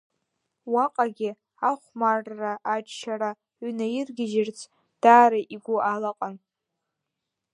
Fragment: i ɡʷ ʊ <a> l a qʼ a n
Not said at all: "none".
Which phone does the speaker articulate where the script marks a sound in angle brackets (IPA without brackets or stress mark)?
a